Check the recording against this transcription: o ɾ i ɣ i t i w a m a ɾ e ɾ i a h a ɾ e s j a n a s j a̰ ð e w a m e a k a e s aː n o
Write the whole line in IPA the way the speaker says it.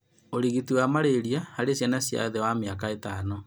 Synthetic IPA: o ɾ i ɣ i t i w a m a ɾ e ɾ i a h a ɾ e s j a n a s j a̰ ð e w a m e a k a e t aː n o

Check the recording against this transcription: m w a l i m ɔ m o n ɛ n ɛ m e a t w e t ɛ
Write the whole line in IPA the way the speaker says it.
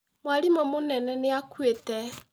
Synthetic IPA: m w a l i m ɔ m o n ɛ n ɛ n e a k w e t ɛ

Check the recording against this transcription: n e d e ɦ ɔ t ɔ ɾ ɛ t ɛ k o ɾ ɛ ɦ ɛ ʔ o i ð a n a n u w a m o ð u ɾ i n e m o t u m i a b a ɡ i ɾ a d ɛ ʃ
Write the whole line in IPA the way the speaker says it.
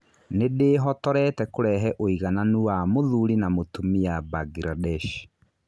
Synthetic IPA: n e d e ɦ ɔ t ɔ ɾ ɛ t ɛ k o ɾ ɛ ɦ ɛ ʔ o i ɣ a n a n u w a m o ð u ɾ i n a m o t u m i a b a ɡ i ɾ a d ɛ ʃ

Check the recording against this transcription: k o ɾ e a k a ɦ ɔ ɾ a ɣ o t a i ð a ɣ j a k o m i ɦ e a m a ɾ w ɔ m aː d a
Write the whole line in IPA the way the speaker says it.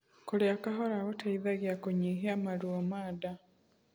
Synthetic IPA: k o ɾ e a k a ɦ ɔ ɾ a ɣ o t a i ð a ɣ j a k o ɲ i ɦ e a m a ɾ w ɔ m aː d a

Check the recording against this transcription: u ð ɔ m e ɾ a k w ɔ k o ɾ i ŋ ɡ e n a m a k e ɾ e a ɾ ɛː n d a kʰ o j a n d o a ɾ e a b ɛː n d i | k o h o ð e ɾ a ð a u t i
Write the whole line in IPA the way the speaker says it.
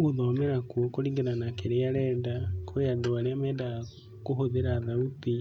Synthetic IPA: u ð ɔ m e ɾ a k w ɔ k o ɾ i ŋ ɡ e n a n a k e ɾ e a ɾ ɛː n d a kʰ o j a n d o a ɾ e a m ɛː n d a | k o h o ð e ɾ a ð a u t i

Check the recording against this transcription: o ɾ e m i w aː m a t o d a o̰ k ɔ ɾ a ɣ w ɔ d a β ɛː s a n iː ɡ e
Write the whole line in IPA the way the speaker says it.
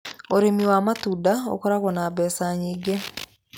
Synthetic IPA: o ɾ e m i w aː m a t u d a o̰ k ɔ ɾ a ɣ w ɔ n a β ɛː s a ɲ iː ɡ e

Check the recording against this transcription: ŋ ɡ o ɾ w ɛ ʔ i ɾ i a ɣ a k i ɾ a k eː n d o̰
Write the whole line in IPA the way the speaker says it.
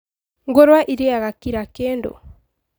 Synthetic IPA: ŋ ɡ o ɾ w a ʔ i ɾ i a ɣ a k i ɾ a k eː n d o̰

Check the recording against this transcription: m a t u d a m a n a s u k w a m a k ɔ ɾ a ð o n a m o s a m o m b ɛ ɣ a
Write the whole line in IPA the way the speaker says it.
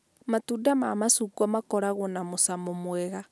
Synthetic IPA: m a t u d a m a m a s u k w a m a k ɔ ɾ a ɣ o n a m o s a m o m w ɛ ɣ a

